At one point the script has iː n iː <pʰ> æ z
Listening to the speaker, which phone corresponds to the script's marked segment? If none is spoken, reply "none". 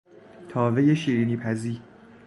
pʰ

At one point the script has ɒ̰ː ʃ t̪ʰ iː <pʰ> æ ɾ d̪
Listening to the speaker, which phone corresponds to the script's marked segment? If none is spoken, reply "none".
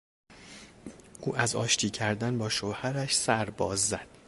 cʰ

